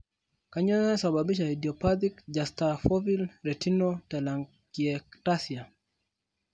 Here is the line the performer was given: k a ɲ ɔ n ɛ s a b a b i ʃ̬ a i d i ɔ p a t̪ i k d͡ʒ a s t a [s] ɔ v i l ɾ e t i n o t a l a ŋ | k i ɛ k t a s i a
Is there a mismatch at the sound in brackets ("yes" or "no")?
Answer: yes